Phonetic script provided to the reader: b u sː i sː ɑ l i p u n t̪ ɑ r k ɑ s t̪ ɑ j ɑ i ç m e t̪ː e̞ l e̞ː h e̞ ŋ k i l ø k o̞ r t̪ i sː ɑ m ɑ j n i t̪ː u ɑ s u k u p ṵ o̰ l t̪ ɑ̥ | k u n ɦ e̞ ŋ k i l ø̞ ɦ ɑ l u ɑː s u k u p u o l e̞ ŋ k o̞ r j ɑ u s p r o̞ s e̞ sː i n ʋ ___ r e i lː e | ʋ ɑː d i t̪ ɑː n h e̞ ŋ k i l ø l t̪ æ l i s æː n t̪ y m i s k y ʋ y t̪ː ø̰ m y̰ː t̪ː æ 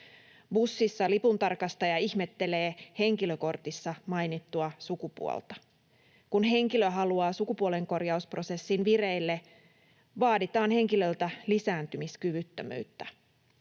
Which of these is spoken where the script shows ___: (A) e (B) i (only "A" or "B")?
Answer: B